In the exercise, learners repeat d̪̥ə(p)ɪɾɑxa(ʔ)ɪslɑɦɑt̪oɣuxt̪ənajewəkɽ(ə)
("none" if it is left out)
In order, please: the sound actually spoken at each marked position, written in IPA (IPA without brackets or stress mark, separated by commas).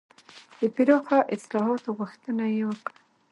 p, ʔ, a